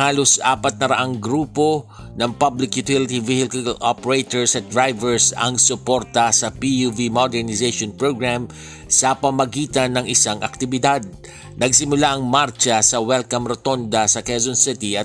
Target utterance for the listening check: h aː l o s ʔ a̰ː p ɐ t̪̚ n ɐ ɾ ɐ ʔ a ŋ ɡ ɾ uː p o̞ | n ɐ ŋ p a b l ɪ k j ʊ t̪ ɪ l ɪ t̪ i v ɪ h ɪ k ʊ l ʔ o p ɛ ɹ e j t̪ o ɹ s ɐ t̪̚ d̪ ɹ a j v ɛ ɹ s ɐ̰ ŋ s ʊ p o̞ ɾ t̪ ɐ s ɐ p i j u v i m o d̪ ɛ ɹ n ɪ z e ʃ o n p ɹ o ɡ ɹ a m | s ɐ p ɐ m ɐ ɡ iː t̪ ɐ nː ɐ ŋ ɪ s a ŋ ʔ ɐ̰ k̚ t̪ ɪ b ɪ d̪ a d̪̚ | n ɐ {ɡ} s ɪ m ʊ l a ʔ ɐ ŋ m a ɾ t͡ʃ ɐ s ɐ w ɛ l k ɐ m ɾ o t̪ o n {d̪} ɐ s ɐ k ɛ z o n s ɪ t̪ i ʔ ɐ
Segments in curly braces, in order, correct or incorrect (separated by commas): correct, correct